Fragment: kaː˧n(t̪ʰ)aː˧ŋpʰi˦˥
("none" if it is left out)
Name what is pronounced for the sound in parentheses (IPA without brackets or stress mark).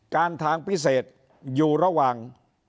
t̪ʰ